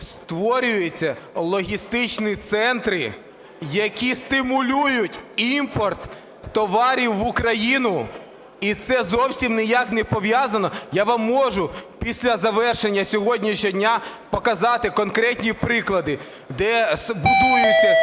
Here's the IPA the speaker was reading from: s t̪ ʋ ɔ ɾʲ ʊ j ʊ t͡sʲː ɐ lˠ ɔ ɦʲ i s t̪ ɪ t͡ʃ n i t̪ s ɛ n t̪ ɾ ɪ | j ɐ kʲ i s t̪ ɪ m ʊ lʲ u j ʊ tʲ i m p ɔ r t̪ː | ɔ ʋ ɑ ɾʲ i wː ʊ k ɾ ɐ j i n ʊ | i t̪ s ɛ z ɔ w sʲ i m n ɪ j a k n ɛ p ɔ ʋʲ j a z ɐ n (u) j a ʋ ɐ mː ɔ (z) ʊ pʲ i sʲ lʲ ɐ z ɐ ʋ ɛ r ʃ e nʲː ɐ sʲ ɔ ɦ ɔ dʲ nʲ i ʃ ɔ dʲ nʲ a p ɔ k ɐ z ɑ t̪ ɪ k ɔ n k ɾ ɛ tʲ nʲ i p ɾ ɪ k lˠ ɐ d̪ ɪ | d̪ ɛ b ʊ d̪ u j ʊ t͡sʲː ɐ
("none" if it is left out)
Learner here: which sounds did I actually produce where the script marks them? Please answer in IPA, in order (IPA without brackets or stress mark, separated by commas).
ɔ, ʒ